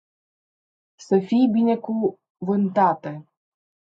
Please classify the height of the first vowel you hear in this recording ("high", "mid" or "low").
mid